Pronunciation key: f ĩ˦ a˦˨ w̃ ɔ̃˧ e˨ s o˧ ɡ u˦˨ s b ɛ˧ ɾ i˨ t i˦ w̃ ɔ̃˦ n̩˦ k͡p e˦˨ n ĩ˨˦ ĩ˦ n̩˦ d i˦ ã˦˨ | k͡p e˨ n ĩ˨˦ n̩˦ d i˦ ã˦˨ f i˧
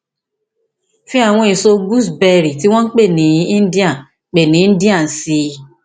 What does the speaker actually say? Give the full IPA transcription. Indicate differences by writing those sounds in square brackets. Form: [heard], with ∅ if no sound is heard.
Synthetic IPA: f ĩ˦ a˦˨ w̃ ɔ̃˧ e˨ s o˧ ɡ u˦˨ s b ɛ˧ ɾ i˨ t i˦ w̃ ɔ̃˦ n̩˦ k͡p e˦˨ n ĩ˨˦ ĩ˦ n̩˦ d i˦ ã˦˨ | k͡p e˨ n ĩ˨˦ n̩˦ d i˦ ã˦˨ [s] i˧